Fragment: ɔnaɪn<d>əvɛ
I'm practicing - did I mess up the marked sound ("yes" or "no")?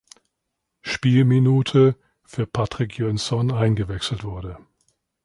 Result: yes